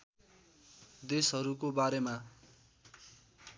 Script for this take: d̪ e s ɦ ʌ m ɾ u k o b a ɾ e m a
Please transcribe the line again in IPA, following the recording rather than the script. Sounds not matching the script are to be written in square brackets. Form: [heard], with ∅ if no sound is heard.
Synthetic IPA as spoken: d̪ e s ɦ ʌ [∅] ɾ u k o b a ɾ e m a